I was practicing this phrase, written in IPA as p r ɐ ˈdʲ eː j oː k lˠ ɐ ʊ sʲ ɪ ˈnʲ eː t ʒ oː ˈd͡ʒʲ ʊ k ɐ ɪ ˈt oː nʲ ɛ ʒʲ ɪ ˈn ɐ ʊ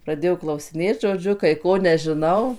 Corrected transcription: p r ɐ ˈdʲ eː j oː k lˠ ɐ ʊ sʲ ɪ ˈnʲ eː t ʒ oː ˈd͡ʒʲ ʊ k ɐ ɪ ˈk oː nʲ ɛ ʒʲ ɪ ˈn ɐ ʊ

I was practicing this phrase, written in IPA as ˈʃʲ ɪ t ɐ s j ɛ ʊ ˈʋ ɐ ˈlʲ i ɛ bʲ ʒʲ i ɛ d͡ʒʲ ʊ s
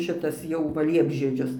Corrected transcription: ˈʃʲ ɪ t ɐ s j ɛ ʊ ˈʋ ɐ ˈlʲ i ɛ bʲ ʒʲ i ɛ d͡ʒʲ ʊ s

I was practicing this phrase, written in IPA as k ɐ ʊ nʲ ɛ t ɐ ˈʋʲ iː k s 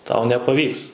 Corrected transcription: t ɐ ʊ nʲ ɛ p ɐ ˈʋʲ iː k s

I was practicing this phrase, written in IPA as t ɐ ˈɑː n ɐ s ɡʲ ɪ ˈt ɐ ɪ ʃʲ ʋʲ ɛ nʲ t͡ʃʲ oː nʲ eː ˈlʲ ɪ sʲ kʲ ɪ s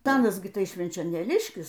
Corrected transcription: t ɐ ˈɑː n ɐ s ɡʲ ɪ ˈt ɐ ɪ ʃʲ ʋʲ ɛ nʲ t͡ʃʲ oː nʲ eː ˈlʲ ɪ ʃʲ kʲ ɪ s

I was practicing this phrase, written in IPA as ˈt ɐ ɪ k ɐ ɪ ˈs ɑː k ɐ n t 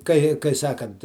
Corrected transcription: ˈk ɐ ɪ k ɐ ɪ ˈs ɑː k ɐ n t

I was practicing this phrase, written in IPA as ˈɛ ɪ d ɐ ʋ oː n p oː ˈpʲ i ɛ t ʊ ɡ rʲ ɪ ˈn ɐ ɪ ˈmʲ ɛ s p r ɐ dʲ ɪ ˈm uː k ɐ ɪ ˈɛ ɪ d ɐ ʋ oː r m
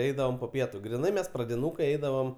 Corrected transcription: ˈɛ ɪ d ɐ ʋ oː m p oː ˈpʲ i ɛ t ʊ ɡ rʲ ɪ ˈn ɐ ɪ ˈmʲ ɛ s p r ɐ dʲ ɪ ˈn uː k ɐ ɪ ˈɛ ɪ d ɐ ʋ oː m

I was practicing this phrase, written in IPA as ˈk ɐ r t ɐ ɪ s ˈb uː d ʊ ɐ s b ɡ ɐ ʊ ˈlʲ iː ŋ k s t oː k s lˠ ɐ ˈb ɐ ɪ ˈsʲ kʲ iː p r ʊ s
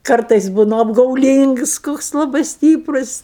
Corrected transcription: ˈk ɐ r t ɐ ɪ s ˈb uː n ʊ ɐ b ɡ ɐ ʊ ˈlʲ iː ŋ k s k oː k s lˠ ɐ ˈb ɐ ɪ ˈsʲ tʲ iː p r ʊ s

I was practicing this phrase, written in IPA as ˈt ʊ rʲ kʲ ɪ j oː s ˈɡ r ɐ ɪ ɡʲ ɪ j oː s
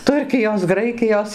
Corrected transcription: ˈt ʊ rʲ kʲ ɪ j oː s ˈɡ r ɐ ɪ kʲ ɪ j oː s

